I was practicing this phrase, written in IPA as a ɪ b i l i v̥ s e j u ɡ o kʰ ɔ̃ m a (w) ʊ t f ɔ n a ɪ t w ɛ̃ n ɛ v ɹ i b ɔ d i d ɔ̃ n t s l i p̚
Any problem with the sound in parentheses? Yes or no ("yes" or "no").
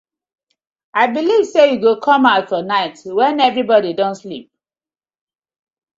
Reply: yes